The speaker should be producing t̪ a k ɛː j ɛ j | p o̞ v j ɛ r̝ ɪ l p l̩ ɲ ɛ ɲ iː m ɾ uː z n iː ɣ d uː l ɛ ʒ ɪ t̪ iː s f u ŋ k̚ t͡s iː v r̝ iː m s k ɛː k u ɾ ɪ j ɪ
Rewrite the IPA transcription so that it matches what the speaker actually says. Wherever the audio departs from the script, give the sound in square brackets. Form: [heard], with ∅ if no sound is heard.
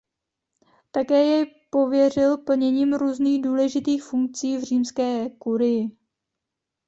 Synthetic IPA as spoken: t̪ a k ɛː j ɛ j | p o̞ v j ɛ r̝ ɪ l p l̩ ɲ ɛ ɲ iː m ɾ uː z n iː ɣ d uː l ɛ ʒ ɪ t̪ iː [x] f u ŋ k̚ t͡s iː v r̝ iː m s k ɛː k u ɾ ɪ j ɪ